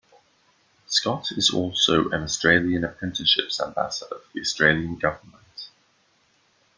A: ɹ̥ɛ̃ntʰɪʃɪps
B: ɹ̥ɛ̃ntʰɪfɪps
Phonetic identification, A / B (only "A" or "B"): A